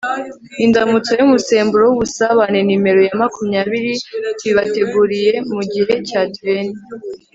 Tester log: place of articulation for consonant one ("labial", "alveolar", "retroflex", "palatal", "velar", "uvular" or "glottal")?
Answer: alveolar